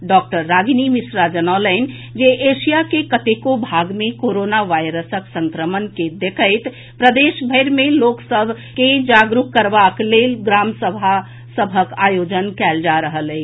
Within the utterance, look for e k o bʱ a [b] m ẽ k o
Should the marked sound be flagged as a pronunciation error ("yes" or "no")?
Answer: yes